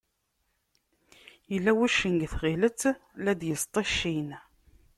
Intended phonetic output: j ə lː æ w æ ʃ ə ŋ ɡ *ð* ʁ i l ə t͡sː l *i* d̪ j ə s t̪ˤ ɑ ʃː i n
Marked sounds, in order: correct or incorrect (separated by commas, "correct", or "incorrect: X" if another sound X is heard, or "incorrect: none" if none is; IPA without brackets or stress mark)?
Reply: incorrect: θ, incorrect: æ